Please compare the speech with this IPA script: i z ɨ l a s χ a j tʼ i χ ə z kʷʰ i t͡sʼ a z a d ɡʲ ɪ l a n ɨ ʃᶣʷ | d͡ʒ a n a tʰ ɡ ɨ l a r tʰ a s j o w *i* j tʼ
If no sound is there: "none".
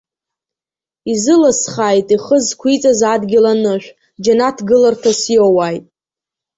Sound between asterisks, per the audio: a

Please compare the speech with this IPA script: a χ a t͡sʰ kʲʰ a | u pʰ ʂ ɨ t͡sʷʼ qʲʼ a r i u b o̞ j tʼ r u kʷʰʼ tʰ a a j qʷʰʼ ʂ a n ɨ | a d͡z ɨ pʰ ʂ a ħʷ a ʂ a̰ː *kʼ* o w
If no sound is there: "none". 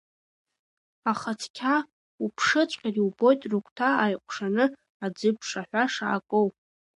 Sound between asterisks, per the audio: kʼ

